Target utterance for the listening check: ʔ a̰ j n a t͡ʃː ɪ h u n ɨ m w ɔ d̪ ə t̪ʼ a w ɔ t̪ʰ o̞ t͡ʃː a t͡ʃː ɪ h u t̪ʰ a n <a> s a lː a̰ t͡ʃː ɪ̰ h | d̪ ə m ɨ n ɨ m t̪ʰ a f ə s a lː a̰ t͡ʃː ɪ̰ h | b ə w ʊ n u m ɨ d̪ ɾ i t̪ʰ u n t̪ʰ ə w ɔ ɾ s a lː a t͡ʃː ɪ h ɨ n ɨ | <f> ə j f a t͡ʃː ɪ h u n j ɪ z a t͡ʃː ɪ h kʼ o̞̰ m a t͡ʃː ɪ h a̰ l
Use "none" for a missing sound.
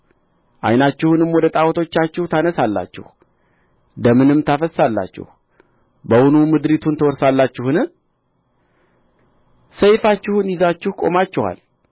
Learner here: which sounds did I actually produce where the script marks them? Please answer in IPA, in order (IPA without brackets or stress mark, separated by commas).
ə, s